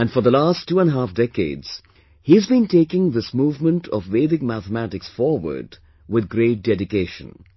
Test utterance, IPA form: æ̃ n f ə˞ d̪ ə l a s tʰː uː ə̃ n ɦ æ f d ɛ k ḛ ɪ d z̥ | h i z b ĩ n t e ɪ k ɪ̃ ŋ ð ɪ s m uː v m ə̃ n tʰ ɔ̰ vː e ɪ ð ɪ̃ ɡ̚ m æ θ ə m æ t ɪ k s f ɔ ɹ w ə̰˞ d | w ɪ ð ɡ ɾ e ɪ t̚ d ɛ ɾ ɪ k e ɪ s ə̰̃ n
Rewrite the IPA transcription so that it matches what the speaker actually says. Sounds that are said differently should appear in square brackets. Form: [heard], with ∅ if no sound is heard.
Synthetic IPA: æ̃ n f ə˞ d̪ ə l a s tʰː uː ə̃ n ɦ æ f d ɛ k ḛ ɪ d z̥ | h i z b ĩ n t e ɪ k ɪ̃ ŋ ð ɪ s m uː v m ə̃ n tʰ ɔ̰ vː e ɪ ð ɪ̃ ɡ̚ m æ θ ə m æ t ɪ k s f ɔ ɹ w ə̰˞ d | w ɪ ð ɡ ɾ e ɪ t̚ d ɛ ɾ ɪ k e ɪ [ʃ] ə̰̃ n